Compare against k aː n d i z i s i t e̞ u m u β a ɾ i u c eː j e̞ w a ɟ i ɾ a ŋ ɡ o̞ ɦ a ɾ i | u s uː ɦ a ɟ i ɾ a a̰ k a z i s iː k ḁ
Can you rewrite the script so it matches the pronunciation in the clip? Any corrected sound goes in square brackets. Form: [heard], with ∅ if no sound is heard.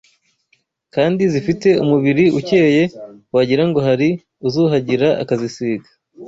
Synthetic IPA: k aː n d i z i [f] i t e̞ u m u β [i] ɾ i u c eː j e̞ w a ɟ i ɾ a ŋ ɡ o̞ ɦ a ɾ i | u [z] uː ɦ a ɟ i ɾ a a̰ k a z i s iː [ɡ] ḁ

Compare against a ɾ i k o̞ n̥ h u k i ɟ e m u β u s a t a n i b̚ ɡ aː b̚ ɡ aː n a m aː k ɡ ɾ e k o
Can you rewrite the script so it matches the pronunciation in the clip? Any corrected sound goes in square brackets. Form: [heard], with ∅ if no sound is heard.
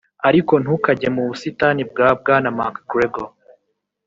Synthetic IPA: a ɾ i k o̞ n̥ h u k [a] ɟ e m u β u s [i] t a n i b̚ ɡ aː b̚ ɡ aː n a m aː k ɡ ɾ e [ɡ] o

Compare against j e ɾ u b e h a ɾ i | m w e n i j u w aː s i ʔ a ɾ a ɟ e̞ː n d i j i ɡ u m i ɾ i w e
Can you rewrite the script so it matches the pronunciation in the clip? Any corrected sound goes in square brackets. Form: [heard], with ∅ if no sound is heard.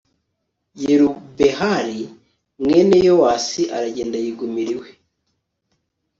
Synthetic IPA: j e ɾ u b e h a ɾ i | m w e n [e] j [o] w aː s i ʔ a ɾ a ɟ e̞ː n d [a] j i ɡ u m i ɾ i w e

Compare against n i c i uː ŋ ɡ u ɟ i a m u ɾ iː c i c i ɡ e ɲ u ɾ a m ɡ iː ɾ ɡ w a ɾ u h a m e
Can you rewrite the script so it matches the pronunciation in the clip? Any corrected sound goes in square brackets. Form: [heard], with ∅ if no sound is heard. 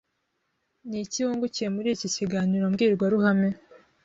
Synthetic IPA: n i c i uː ŋ ɡ u [c] i [e] m u ɾ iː c i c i ɡ [a] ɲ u ɾ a m ɡ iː ɾ ɡ w a ɾ u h a m e

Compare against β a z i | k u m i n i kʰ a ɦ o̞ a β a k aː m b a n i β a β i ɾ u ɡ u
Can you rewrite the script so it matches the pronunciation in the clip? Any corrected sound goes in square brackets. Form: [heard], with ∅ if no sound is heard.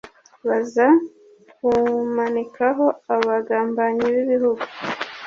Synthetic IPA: β a z [a] | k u m [a] n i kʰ a ɦ o̞ a β a [ɡ] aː m b a [ɲ] i β [i] β i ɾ u ɡ u

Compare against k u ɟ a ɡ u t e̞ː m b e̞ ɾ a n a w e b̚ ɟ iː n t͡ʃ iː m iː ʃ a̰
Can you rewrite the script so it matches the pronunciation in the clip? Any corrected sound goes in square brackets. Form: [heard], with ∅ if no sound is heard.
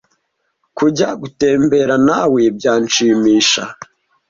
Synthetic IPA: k u ɟ a ɡ u t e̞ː m b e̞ ɾ a n a w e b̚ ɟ [aː] n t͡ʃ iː m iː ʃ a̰

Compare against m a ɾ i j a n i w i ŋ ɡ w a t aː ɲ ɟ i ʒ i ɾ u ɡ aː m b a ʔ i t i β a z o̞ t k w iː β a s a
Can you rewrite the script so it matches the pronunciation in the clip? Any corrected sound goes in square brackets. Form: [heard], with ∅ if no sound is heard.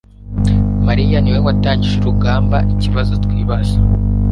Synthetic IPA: m a ɾ i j a n i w [e] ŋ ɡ w a t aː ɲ ɟ i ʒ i ɾ u ɡ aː m b a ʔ i [c] i β a z o̞ t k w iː β a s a

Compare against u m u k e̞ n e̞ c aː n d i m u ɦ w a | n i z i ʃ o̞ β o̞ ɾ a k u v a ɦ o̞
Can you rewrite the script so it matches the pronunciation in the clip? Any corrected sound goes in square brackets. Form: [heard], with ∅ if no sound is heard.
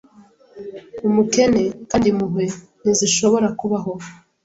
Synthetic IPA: u m u k e̞ n e̞ [k] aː n d i m u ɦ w [e] | n i z i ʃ o̞ β o̞ ɾ a k u [β] a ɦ o̞

